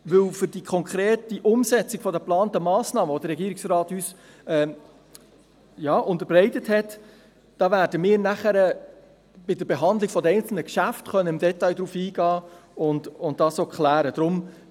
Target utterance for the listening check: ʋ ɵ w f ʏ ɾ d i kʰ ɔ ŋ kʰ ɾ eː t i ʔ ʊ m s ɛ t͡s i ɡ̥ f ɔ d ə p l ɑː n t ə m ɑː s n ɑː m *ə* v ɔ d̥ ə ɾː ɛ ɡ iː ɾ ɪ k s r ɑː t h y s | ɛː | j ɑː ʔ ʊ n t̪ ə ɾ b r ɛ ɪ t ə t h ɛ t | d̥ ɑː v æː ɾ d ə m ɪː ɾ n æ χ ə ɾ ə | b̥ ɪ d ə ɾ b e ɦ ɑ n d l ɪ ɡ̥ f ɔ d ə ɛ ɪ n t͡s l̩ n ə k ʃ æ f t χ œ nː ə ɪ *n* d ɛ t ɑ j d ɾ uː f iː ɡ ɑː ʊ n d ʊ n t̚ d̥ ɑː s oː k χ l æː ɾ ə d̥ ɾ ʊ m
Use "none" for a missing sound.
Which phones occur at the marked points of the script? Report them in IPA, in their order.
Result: ə, m

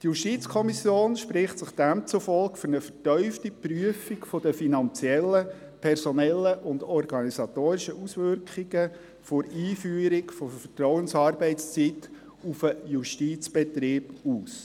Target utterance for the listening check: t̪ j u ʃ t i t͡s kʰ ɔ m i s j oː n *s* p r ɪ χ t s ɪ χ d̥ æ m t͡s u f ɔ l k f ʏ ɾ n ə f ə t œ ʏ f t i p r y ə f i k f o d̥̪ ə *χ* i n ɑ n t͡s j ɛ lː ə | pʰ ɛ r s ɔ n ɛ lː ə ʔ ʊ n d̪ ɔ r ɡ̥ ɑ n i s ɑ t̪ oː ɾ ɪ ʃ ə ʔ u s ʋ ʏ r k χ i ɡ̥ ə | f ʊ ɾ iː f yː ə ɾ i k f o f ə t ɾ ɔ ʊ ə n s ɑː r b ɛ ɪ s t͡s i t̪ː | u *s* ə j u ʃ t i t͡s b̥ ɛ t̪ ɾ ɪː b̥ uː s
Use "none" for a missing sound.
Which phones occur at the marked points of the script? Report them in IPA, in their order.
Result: ʃ, f, f

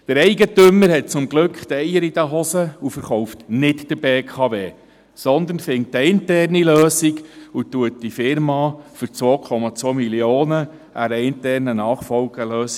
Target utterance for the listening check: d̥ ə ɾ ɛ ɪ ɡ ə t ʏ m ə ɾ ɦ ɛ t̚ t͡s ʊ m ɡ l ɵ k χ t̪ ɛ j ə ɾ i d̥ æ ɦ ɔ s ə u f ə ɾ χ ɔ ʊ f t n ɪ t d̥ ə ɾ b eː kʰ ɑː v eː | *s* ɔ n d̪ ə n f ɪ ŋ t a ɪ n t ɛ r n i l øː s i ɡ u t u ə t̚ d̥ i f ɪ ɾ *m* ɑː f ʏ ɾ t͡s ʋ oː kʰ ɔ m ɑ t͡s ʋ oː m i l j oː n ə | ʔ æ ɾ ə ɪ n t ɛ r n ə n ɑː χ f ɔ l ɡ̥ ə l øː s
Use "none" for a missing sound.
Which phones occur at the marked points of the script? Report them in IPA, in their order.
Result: s, m

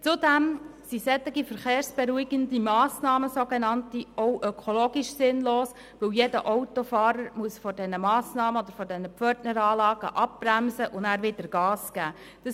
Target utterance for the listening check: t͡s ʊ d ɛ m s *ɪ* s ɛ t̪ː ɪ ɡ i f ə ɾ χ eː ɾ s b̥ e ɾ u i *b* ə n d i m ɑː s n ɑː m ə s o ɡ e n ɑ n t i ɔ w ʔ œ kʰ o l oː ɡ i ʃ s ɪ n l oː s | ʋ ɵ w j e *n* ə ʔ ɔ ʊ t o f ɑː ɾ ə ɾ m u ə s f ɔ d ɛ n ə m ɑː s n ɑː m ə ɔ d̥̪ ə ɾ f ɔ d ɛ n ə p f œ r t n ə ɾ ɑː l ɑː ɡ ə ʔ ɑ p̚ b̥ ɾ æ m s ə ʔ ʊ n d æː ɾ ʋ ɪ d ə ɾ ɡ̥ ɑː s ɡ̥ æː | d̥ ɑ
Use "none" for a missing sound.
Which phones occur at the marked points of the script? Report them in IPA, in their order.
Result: i, ɡ, d

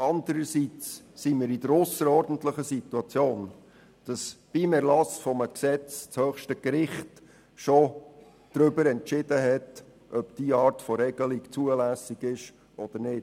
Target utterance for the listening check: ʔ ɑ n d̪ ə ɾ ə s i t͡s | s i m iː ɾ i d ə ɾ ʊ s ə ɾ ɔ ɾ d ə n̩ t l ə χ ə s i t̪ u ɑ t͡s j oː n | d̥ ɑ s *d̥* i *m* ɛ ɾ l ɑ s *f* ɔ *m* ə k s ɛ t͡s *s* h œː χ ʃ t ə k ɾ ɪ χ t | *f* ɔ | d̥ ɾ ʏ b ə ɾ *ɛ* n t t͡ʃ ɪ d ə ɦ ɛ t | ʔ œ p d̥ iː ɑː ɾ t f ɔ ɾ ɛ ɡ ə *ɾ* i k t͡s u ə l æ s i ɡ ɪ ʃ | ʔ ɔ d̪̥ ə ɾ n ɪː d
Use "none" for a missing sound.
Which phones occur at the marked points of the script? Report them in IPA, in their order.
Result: b̥, m, f, m, t͡s, ʃ, ɛ, l

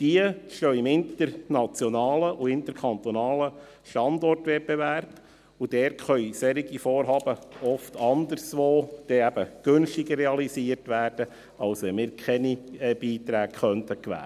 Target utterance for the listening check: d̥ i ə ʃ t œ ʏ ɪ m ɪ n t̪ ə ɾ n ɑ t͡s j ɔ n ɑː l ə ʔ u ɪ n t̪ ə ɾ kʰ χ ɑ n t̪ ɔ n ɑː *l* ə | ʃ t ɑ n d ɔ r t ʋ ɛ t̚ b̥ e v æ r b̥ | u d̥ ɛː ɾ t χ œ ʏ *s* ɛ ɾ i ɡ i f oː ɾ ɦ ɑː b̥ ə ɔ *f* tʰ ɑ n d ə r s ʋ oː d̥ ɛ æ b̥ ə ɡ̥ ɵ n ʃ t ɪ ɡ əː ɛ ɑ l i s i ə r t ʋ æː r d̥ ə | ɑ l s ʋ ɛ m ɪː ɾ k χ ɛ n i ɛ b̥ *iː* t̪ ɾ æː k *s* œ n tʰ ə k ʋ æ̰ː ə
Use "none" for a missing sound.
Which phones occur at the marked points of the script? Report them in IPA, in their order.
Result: l, s, f, iː, χ

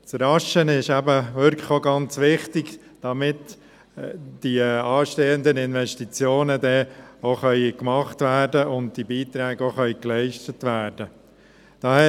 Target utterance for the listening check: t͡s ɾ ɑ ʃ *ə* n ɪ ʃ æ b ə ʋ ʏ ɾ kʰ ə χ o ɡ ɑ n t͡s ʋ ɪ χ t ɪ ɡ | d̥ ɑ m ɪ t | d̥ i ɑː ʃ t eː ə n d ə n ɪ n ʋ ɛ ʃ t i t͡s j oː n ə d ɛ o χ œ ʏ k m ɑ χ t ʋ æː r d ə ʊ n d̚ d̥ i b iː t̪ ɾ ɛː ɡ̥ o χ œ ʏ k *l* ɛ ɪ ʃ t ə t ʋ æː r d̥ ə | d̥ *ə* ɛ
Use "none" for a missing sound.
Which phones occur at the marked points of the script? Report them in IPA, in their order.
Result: ə, l, ɑ

